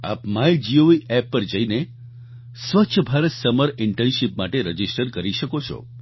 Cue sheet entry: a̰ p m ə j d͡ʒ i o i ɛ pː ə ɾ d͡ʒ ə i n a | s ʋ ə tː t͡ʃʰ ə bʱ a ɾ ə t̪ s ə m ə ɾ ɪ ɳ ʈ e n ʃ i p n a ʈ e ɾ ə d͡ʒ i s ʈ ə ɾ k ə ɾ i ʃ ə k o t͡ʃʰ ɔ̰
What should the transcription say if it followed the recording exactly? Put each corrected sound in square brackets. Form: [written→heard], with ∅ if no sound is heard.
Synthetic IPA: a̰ p m [ə→a] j d͡ʒ i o i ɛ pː ə ɾ d͡ʒ ə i n [a→e] | s ʋ ə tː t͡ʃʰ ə bʱ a ɾ ə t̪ s ə m ə ɾ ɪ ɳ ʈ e n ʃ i p [n→m] a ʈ e ɾ ə d͡ʒ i s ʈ ə ɾ k ə ɾ i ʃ ə k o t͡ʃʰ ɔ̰